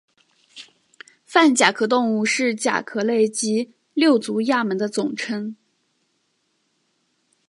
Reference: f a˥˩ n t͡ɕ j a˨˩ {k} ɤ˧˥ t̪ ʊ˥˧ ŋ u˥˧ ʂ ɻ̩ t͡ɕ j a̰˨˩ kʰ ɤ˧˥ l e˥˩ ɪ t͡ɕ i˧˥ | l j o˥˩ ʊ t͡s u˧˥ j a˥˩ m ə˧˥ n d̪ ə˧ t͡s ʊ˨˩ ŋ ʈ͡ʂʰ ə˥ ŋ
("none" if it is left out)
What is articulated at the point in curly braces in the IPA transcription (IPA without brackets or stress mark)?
kʰ